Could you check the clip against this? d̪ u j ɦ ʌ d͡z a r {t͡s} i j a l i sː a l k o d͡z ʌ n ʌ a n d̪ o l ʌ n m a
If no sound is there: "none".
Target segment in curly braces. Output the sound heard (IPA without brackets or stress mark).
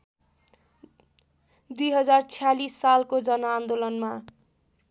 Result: t͡sʰ